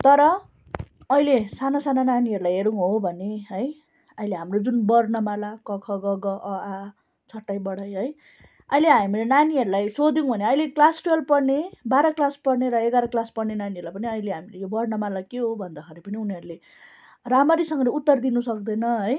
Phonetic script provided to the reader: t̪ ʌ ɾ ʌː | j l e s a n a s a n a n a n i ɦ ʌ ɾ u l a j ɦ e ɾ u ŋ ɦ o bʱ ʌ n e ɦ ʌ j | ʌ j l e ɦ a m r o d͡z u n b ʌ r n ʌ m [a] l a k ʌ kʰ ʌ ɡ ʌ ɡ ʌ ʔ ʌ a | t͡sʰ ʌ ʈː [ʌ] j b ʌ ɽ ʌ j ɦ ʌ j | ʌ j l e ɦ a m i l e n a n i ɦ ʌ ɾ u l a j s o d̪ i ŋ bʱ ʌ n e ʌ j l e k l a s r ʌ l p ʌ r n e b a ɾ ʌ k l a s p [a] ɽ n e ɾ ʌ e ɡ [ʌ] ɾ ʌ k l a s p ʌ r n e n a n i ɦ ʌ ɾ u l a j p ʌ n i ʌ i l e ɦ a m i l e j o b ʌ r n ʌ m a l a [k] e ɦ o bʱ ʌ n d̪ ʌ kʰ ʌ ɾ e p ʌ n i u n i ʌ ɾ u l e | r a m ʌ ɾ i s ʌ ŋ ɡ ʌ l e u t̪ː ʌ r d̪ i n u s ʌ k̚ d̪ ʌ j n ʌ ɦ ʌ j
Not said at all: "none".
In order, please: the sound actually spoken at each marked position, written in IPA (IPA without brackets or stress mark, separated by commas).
a, a, ʌ, a, k